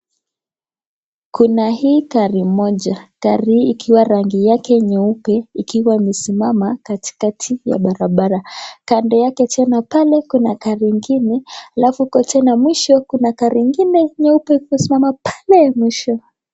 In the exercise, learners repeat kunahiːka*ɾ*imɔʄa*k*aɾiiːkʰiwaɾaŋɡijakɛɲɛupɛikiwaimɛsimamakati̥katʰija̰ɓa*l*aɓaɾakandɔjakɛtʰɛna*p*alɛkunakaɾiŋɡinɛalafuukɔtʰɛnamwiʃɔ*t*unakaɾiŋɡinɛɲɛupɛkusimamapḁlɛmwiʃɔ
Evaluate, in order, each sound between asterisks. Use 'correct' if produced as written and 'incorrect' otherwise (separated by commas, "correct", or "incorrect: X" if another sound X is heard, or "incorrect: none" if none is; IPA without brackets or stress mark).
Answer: correct, correct, incorrect: ɾ, correct, incorrect: k